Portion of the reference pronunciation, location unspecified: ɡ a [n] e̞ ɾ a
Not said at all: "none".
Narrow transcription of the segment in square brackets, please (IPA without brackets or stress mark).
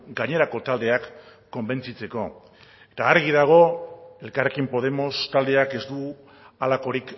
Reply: ɲ